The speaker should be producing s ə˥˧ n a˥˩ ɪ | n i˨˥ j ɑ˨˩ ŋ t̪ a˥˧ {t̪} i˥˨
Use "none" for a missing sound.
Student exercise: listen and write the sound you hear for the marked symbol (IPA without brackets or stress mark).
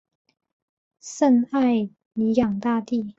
t̪